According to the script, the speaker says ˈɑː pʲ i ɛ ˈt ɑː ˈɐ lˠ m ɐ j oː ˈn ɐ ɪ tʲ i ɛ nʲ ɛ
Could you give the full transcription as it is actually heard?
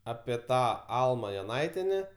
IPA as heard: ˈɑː pʲ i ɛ ˈt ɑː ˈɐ lˠ m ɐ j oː ˈn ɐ ɪ tʲ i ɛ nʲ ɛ